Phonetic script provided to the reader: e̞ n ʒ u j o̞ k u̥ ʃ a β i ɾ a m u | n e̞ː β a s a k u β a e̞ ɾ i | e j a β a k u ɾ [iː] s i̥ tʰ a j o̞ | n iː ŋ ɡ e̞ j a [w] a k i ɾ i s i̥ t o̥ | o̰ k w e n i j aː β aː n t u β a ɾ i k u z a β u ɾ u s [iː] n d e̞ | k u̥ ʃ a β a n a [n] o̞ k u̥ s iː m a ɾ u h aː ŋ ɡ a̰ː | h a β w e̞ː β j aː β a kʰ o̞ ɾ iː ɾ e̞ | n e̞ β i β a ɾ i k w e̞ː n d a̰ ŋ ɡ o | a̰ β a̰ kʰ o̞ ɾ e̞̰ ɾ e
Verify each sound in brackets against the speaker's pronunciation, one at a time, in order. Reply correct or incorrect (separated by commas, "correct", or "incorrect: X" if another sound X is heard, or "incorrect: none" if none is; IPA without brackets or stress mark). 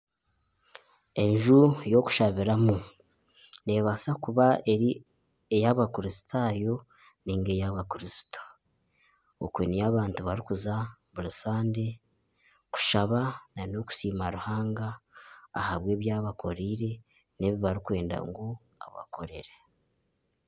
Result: incorrect: i, incorrect: β, incorrect: aː, correct